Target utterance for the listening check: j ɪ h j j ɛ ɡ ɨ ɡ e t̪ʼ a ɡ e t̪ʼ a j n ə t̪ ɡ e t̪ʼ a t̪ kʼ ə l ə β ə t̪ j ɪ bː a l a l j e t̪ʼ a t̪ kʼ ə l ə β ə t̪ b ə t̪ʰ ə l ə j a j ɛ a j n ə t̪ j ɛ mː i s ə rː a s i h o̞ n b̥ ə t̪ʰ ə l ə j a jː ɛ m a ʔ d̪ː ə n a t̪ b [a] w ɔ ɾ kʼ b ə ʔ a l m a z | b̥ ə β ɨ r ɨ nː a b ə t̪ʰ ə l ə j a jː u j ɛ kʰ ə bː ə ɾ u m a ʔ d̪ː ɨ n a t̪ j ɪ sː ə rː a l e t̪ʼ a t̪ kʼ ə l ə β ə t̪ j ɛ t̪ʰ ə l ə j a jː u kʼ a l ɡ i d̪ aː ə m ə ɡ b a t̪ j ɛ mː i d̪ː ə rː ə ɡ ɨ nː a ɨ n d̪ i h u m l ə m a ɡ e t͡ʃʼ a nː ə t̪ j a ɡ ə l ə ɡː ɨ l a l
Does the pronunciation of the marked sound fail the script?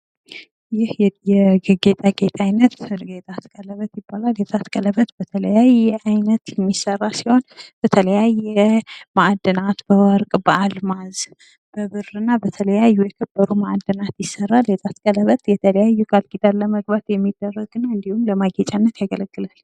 yes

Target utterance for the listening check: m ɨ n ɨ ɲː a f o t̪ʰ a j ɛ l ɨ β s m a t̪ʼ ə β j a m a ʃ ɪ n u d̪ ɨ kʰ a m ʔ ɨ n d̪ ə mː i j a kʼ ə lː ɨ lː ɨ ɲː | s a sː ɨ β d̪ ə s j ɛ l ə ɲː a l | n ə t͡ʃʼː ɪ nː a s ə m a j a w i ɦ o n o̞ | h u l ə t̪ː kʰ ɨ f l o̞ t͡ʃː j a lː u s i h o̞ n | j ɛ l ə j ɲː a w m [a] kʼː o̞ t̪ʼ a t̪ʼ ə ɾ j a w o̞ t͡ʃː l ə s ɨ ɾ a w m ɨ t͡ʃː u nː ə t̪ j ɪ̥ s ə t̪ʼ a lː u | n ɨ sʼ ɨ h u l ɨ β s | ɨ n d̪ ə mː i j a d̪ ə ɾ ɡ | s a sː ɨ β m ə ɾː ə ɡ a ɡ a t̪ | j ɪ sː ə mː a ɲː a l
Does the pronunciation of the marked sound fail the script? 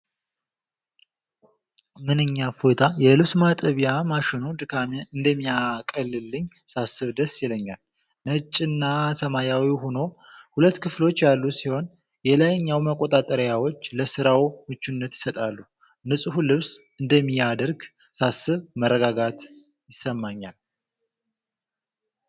yes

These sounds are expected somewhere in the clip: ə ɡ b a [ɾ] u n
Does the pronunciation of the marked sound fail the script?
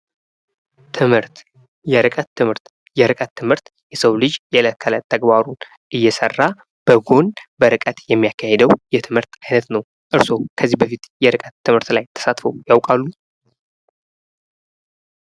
no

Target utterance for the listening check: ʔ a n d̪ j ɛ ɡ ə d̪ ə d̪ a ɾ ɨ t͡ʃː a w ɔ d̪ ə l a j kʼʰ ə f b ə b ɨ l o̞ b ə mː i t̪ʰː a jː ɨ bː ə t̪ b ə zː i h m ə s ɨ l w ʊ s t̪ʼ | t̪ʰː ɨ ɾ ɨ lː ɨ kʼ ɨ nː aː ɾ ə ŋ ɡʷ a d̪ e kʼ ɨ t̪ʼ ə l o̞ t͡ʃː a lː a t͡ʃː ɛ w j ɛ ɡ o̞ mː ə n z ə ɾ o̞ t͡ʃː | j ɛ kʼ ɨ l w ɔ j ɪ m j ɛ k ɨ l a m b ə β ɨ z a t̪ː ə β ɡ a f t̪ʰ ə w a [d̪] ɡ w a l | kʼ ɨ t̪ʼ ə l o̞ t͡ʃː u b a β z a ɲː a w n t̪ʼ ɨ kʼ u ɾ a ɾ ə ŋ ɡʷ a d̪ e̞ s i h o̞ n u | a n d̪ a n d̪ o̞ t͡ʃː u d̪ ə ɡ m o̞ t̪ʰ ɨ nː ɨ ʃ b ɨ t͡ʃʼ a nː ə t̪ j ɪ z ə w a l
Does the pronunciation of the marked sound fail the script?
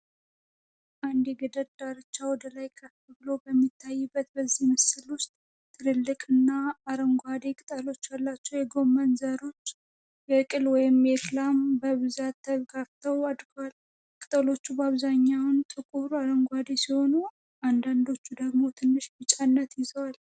no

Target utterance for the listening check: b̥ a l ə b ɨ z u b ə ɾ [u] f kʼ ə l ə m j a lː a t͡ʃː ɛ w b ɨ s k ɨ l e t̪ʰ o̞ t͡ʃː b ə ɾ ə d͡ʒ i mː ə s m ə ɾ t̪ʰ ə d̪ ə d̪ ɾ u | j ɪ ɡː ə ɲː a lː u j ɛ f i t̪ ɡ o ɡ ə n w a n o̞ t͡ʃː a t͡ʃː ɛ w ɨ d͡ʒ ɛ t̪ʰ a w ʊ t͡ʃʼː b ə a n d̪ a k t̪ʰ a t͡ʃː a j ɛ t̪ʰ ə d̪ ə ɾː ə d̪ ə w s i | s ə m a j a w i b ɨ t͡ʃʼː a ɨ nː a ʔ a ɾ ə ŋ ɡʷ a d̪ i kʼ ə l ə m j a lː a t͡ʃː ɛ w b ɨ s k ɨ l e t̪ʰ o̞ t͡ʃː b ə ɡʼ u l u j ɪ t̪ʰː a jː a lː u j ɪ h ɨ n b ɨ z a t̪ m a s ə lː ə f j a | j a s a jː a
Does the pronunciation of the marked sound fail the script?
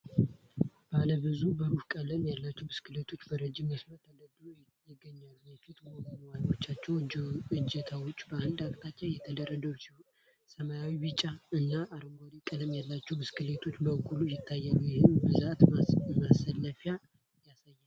no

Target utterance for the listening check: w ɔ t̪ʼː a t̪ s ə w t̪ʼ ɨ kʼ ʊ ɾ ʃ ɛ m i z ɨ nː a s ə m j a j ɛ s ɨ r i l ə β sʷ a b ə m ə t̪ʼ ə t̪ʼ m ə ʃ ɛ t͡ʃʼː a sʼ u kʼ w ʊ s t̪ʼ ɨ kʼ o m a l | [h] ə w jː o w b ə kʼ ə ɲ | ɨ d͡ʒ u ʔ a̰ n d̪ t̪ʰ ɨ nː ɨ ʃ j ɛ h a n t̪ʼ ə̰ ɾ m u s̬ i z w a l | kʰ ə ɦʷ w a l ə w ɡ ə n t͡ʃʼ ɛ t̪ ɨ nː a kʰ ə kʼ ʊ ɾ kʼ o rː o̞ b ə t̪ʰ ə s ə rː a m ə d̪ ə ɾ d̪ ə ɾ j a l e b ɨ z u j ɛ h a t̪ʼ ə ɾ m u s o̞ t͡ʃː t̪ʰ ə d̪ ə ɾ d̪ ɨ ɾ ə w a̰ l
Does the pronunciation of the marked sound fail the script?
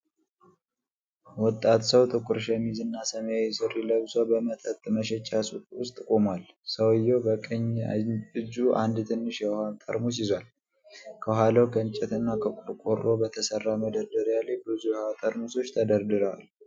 yes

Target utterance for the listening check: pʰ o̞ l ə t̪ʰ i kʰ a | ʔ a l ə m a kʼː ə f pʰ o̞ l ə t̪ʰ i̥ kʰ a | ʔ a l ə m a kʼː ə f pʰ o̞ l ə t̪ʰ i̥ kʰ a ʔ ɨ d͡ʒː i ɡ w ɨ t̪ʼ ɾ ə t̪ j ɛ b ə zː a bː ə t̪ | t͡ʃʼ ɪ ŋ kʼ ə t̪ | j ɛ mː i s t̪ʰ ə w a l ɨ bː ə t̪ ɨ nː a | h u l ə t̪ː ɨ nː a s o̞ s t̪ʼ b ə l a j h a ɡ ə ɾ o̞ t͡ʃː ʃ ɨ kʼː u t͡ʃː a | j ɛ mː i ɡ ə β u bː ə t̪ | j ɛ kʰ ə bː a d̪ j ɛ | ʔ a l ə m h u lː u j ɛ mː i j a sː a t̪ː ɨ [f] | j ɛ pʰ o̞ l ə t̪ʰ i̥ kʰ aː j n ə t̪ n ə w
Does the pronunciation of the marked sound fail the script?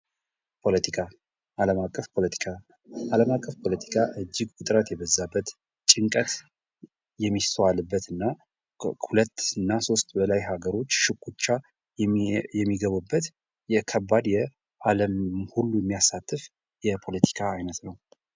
no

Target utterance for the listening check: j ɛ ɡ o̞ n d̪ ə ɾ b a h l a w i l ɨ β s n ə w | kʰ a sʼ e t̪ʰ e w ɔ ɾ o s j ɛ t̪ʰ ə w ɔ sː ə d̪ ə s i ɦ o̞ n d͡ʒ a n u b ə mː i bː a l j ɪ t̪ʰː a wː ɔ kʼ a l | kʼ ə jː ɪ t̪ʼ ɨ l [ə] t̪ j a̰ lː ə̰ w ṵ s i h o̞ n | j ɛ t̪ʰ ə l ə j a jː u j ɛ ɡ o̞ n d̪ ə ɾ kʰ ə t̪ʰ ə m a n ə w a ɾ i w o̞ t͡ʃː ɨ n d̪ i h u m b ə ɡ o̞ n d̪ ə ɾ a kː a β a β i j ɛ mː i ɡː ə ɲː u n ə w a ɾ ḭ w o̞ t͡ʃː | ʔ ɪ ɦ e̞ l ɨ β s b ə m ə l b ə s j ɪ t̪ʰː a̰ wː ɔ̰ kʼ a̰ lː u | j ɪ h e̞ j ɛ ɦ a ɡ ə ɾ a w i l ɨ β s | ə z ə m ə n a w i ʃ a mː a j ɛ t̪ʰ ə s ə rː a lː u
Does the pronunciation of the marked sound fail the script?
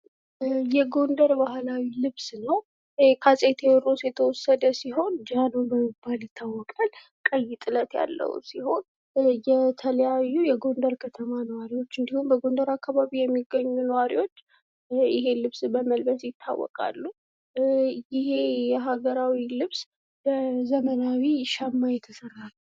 no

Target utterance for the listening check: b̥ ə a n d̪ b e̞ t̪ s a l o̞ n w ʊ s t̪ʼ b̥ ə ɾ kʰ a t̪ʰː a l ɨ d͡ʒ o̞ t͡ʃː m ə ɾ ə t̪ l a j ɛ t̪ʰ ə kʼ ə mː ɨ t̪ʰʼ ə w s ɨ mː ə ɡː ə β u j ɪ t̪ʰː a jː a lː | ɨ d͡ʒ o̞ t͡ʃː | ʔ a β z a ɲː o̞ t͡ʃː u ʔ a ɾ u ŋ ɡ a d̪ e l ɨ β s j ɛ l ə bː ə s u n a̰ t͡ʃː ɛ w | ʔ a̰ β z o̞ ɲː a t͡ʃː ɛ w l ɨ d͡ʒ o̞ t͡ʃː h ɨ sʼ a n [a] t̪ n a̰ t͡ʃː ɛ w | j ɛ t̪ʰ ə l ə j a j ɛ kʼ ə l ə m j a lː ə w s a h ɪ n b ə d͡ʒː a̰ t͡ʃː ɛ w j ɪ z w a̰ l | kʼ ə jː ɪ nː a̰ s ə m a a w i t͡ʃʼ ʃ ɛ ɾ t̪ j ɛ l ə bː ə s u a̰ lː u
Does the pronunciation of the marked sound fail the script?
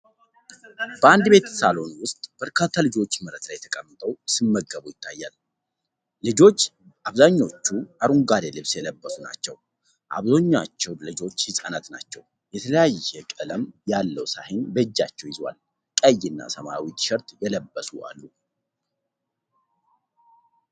no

